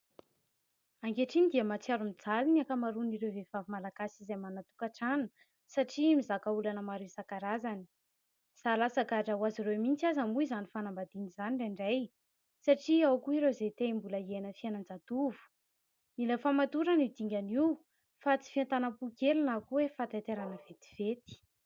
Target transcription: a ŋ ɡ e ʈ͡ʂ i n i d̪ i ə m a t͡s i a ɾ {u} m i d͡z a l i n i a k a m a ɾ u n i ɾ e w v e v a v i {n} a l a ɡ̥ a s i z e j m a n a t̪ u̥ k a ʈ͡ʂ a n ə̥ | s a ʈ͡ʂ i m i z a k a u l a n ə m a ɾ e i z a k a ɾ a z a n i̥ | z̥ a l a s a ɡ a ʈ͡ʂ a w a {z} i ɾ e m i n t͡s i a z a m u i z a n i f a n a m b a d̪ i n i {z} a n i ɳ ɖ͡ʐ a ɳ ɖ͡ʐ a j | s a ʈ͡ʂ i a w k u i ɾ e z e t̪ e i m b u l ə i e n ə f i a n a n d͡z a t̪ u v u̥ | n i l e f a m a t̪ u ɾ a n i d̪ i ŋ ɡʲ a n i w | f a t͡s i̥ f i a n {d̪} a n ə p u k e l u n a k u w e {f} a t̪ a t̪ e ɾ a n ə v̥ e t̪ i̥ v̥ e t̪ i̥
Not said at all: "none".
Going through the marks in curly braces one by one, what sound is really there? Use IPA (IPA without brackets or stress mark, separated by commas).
u, m, z, z, t̪, f